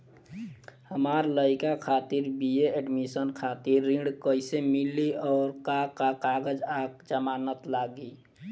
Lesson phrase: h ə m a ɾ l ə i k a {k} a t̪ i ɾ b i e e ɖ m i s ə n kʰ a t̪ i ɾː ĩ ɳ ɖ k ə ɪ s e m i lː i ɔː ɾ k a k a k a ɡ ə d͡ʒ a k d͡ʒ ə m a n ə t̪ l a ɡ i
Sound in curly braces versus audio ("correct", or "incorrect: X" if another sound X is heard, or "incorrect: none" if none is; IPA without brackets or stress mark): incorrect: kʰ